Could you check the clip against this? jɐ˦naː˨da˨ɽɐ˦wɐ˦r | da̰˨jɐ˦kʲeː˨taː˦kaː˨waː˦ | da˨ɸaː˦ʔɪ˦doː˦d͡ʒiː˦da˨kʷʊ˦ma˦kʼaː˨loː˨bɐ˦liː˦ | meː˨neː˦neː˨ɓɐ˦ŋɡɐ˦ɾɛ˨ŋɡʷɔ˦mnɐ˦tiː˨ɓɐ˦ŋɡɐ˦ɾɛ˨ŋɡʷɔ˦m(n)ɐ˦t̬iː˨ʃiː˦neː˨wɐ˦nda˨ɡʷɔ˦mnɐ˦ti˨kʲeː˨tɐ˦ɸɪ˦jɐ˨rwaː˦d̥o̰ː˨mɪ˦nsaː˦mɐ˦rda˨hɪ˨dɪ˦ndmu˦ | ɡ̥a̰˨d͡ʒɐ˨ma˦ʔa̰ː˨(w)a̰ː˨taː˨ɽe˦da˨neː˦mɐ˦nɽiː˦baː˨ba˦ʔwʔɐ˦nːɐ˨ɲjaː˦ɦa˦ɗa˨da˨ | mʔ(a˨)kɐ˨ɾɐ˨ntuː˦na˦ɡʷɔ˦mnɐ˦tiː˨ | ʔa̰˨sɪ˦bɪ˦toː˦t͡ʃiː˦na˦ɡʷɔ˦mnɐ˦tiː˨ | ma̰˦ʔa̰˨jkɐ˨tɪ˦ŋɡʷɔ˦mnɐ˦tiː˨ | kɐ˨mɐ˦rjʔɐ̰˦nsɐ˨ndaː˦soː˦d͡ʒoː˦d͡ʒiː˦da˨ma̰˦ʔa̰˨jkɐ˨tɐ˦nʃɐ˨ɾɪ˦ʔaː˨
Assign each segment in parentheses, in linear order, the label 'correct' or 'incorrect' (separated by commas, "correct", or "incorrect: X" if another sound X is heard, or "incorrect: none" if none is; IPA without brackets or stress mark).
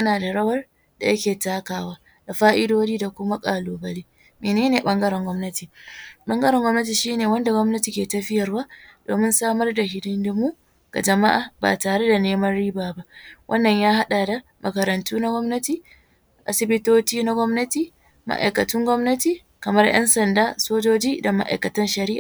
correct, incorrect: b, incorrect: ɐ˨